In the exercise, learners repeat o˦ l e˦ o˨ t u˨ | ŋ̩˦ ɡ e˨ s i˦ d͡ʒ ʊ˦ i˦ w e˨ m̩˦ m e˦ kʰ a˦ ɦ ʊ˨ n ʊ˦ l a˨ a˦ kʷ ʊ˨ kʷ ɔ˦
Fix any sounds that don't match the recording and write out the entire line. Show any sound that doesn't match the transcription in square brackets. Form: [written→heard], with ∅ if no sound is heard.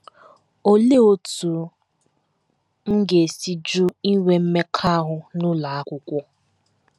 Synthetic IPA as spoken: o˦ l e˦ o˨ t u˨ | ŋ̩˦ ɡ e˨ s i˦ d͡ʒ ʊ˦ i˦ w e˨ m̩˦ m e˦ kʰ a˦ ɦ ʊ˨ n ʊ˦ l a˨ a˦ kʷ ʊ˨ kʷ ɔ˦

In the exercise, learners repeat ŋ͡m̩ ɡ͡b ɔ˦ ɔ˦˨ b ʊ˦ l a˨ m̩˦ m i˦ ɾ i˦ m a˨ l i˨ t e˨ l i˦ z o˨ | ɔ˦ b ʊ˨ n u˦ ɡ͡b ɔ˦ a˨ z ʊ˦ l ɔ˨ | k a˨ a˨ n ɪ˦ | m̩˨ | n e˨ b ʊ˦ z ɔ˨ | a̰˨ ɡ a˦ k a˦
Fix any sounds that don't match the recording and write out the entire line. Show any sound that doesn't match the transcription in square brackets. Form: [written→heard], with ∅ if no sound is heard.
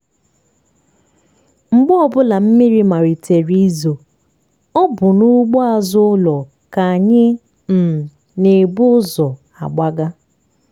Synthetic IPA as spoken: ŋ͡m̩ ɡ͡b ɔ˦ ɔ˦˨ b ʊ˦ l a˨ m̩˦ m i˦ ɾ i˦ m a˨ [l→ɾ] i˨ t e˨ [l→ɾ] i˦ z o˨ | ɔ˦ b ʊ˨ n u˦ ɡ͡b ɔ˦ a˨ z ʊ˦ l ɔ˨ | k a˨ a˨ [n→ɲ] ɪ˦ | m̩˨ | n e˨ b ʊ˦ z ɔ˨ | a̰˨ [ɡ→ɡ͡b] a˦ [k→ɡ] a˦

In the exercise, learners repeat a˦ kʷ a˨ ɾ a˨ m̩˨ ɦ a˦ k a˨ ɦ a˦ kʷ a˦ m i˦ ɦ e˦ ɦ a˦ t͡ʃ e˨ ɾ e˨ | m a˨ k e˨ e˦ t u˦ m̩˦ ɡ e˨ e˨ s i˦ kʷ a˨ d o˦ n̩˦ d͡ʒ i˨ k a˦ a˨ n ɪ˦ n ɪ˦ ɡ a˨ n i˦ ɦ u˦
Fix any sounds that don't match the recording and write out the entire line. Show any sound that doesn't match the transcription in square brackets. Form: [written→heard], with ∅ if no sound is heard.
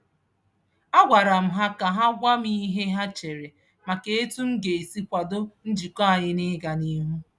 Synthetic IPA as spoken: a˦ [kʷ→ɡʷ] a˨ ɾ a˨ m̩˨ ɦ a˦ k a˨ ɦ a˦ [kʷ→ɡʷ] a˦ m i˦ ɦ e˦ ɦ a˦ t͡ʃ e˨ ɾ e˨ | m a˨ k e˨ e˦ t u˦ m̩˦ ɡ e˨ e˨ s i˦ kʷ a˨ d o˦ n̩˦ d͡ʒ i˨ k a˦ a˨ [n→ɲ] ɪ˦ n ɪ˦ ɡ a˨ n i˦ ɦ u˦

